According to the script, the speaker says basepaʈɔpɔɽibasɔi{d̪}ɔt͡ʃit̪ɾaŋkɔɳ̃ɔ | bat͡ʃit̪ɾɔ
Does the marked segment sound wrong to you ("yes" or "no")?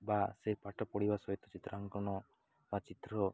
yes